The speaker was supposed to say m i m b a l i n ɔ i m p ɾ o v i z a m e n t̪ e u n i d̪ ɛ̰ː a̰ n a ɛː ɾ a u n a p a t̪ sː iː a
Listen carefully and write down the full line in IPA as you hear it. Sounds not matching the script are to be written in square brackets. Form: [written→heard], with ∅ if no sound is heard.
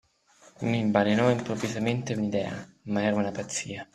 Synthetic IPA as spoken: m i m b a l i n ɔ i m p ɾ o v i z a m e n t̪ e u n i d̪ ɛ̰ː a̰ [n→m] a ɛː ɾ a u n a p a t̪ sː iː a